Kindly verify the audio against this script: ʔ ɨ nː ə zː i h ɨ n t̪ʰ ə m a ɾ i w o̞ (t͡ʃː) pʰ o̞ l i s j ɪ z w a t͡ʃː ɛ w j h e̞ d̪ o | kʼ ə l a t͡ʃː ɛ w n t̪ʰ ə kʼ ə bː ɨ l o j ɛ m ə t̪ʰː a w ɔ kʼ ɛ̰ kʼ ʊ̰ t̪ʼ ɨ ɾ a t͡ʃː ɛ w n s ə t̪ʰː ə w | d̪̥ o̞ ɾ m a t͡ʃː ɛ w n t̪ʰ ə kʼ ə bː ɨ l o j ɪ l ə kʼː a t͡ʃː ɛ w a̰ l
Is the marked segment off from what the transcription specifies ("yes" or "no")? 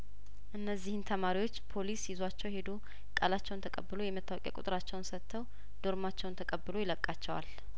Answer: no